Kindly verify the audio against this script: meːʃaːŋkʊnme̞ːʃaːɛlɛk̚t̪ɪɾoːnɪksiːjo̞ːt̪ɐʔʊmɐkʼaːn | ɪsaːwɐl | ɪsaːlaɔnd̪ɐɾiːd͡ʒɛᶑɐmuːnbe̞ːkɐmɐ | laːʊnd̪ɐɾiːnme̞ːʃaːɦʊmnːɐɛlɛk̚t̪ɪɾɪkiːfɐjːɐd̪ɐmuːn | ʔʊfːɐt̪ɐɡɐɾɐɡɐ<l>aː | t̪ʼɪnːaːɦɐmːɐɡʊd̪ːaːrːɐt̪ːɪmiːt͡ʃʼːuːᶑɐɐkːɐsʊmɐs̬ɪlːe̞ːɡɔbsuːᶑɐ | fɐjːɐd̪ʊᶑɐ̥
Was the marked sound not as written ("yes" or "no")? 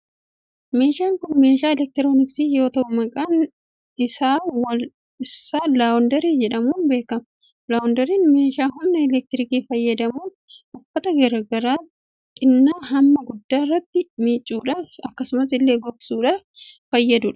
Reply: yes